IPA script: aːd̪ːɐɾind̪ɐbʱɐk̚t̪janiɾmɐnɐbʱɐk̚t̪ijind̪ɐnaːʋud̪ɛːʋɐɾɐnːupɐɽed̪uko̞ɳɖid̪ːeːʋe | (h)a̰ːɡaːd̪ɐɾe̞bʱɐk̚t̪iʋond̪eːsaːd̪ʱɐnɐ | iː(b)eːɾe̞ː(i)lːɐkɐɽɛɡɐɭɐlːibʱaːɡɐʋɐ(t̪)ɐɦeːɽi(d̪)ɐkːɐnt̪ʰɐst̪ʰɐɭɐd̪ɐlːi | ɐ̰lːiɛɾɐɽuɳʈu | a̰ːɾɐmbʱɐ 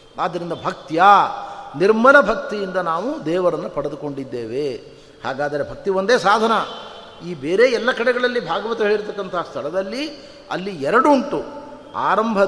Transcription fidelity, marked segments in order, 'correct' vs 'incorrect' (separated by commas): correct, correct, incorrect, correct, incorrect